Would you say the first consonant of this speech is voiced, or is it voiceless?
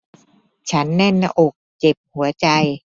voiceless